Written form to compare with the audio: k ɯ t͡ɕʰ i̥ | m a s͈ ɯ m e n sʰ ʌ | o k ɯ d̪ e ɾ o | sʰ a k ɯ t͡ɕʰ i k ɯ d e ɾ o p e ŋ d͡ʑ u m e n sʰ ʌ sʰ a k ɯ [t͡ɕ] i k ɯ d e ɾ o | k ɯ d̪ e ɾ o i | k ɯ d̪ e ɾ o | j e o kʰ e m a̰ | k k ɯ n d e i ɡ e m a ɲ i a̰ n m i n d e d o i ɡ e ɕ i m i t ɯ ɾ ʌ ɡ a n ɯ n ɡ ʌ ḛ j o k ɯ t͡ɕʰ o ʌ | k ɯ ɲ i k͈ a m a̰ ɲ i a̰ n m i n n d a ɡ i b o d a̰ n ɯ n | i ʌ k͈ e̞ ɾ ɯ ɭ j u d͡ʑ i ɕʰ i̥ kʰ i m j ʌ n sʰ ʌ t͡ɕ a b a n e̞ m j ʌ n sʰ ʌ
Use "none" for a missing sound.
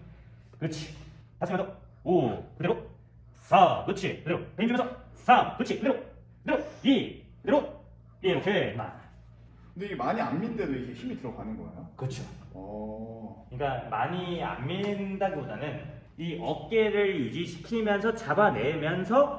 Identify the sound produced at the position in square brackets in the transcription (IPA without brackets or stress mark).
t͡ɕʰ